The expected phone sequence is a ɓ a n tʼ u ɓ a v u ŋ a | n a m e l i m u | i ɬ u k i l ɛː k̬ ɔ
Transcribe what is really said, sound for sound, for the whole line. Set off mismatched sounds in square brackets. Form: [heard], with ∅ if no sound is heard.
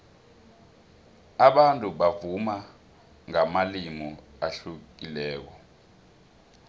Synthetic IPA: a ɓ a n tʼ u ɓ a v u [m] a | [ŋ] a m [a] l i m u | [a] ɬ u k i l ɛː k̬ ɔ